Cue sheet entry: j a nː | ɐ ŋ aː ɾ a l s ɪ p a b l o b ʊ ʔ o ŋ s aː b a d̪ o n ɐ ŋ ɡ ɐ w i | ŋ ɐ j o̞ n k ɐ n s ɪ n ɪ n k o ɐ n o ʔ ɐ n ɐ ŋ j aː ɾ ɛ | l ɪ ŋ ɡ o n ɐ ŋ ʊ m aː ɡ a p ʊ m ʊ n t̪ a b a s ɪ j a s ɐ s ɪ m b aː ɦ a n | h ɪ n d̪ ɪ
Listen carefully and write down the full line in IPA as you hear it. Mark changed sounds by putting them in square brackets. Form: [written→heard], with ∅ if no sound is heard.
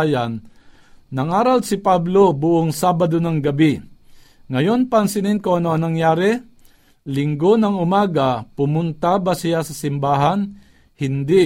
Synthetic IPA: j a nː | ɐ ŋ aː ɾ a l s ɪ p a b l o b ʊ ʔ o ŋ s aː b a d̪ o n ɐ ŋ ɡ ɐ [w→b] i | ŋ ɐ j o̞ n [k→p] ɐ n s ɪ n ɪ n k o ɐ n o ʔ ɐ n ɐ ŋ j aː ɾ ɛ | l ɪ ŋ ɡ o n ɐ ŋ ʊ m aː ɡ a p ʊ m ʊ n t̪ a b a s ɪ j a s ɐ s ɪ m b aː ɦ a n | h ɪ n d̪ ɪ